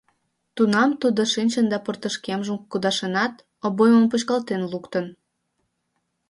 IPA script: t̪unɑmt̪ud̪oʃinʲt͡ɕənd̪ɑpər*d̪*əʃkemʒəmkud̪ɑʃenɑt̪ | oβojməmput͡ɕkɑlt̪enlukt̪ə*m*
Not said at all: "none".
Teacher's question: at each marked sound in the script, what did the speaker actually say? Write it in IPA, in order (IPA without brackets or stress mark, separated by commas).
t̪, n